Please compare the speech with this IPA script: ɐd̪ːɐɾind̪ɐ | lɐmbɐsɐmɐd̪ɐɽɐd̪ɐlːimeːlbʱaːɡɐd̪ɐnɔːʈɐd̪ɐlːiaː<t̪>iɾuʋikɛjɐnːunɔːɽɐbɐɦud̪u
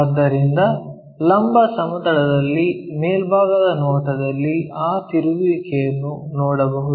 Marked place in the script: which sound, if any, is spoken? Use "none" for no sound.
t̪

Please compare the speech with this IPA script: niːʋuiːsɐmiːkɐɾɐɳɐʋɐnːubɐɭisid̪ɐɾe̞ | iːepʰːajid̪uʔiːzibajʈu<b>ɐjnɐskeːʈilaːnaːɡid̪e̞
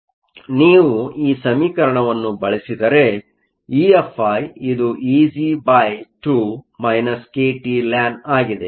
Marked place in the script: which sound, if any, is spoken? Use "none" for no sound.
m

